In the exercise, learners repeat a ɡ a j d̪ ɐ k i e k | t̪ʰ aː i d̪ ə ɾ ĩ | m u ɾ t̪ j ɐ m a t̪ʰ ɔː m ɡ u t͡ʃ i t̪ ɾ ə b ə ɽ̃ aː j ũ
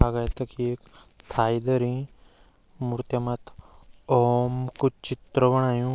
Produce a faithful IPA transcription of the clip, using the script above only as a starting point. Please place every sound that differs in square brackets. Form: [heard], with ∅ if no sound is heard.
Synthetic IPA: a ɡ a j [t̪] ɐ k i e k | t̪ʰ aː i d̪ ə ɾ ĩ | m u ɾ t̪ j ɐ m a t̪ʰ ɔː m [k] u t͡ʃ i t̪ ɾ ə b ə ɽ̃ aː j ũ